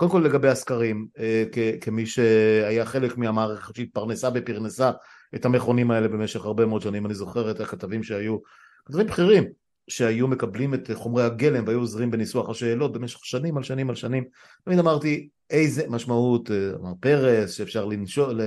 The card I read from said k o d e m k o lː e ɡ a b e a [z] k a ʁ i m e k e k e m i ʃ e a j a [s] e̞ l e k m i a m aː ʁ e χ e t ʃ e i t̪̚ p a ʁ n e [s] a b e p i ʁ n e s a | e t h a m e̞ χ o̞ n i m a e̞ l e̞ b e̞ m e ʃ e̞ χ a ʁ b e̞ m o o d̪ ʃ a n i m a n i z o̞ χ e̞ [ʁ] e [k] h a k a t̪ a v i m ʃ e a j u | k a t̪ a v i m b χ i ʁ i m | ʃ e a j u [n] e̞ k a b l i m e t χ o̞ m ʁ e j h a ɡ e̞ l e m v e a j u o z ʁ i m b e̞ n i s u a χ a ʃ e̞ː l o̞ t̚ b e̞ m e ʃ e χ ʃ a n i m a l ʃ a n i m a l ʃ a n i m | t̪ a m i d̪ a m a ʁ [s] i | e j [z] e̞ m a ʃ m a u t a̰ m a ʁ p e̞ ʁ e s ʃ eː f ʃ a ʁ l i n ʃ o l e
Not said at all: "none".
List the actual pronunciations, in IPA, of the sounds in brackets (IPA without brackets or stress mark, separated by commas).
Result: s, χ, s, ʁ, t, m, t, z